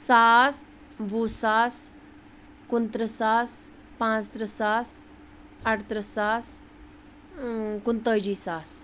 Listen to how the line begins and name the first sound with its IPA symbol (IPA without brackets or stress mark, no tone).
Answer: s